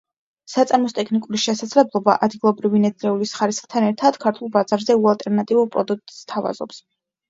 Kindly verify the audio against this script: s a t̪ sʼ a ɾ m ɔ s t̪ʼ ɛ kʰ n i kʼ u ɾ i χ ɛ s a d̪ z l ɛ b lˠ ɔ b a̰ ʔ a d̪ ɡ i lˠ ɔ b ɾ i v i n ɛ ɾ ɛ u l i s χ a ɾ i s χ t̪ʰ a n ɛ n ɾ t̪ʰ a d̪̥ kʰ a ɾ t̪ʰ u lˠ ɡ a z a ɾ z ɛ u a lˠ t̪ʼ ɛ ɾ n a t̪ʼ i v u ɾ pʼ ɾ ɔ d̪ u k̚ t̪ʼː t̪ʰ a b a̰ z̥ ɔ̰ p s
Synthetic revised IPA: s a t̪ sʼ a ɾ m ɔ s t̪ʼ ɛ kʰ n i kʼ u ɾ i ʃ ɛ s a d̪ z l ɛ b lˠ ɔ b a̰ ʔ a d̪ ɡ i lˠ ɔ b ɾ i v i n ɛ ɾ ɛ u l i s χ a ɾ i s χ t̪ʰ a n ɛ ɾ t̪ʰ a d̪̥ kʰ a ɾ t̪ʰ u lˠ b a z a ɾ z ɛ u a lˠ t̪ʼ ɛ ɾ n a t̪ʼ i v u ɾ pʼ ɾ ɔ d̪ u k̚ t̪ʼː t̪ʰ a v a̰ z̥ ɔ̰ p s